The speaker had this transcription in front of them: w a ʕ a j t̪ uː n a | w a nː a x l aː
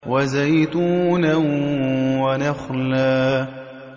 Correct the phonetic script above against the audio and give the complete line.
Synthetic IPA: w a z a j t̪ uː n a | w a n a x l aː